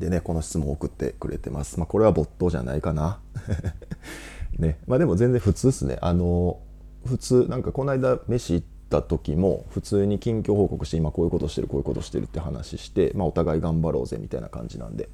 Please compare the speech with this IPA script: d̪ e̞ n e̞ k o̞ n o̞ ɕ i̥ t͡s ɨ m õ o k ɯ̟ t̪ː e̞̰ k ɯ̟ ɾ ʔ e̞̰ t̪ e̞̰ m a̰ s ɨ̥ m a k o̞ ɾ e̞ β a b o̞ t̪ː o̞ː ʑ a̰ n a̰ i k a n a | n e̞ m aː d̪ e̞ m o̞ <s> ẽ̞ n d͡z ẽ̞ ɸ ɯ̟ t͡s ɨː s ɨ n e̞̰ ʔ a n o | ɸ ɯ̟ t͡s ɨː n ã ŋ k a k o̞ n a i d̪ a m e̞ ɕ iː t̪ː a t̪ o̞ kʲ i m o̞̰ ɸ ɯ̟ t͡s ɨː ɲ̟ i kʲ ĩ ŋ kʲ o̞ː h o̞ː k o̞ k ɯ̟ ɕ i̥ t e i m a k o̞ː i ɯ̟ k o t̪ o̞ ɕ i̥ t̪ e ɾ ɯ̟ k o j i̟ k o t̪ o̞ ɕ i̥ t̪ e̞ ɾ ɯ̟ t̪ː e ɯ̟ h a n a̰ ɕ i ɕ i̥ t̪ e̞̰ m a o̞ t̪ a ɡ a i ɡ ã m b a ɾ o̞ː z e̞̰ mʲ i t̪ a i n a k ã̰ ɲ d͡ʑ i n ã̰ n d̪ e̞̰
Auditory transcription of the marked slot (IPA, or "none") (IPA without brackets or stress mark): z